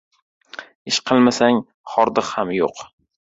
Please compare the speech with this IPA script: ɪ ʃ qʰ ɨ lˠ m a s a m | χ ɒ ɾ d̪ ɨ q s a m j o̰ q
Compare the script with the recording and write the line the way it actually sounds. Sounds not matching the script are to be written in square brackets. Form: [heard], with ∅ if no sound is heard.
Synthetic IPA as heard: ɪ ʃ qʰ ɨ lˠ m a s a [ŋ] | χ ɒ ɾ d̪ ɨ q [h] a m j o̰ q